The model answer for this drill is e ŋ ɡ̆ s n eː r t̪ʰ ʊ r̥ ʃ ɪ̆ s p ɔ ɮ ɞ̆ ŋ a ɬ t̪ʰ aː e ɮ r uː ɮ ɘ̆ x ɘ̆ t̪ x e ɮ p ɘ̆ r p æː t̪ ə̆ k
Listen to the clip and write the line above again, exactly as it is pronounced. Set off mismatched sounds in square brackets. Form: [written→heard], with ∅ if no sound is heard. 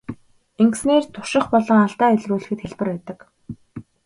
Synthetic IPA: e ŋ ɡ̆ s n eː r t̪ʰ ʊ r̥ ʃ ɪ̆ [s→χ] p ɔ ɮ ɞ̆ ŋ a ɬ [t̪ʰ→t̪] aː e ɮ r uː ɮ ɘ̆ x ɘ̆ t̪ x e ɮ p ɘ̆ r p æː t̪ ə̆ k